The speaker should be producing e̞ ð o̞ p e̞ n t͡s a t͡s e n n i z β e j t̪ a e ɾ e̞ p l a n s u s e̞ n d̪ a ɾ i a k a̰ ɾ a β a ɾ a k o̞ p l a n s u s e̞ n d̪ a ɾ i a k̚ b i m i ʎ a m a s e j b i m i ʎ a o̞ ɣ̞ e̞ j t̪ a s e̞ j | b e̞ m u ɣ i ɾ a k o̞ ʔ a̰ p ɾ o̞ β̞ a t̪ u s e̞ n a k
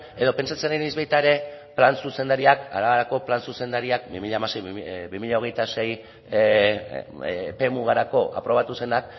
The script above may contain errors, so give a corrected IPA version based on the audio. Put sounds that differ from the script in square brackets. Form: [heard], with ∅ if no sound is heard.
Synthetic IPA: e̞ ð o̞ p e̞ n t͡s a t͡s e n n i z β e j t̪ a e ɾ e̞ p l a n s u s e̞ n d̪ a ɾ i a k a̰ ɾ a β a ɾ a k o̞ p l a n s u s e̞ n d̪ a ɾ i a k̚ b i m i ʎ a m a s e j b i m i ʎ a o̞ ɣ̞ e̞ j t̪ a s e̞ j | [p] e̞ m u ɣ [a] ɾ a k o̞ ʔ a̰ p ɾ o̞ β̞ a t̪ u s e̞ n a k